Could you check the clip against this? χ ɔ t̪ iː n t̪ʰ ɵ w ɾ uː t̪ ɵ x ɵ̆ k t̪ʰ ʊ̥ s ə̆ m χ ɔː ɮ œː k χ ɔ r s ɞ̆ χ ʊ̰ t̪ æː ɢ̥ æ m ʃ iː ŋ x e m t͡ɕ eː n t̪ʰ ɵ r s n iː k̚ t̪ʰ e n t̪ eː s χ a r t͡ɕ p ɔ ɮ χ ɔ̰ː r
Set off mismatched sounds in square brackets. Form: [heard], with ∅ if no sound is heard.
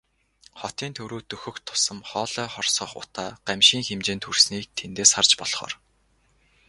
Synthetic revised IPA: χ ɔ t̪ iː n t̪ʰ ɵ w ɾ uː t̪ ɵ x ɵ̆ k t̪ʰ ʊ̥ s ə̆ m χ ɔː ɮ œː [∅] χ ɔ r s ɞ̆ χ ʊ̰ t̪ [aː] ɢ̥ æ m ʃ iː ŋ x e m t͡ɕ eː n t̪ʰ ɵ r s n iː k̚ t̪ʰ e n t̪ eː s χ a r t͡ɕ p ɔ ɮ χ ɔ̰ː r